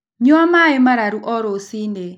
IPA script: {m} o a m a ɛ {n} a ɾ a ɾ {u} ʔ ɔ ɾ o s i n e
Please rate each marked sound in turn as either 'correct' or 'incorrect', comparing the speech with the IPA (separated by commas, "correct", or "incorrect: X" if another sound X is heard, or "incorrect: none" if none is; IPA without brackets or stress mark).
incorrect: ɲ, incorrect: m, correct